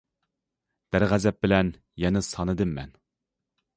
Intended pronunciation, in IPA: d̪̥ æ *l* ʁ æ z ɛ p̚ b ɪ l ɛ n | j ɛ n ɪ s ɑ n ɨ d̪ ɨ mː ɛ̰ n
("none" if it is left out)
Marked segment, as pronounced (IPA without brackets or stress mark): ɾ